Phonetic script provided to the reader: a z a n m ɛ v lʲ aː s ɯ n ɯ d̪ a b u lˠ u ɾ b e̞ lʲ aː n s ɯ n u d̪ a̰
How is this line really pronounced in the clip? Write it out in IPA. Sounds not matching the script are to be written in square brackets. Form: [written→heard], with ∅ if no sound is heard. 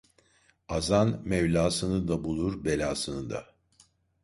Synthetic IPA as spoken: a z a n m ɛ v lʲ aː s ɯ n ɯ d̪ a b u lˠ u ɾ b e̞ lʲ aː [n→∅] s ɯ n [u→ɯ] d̪ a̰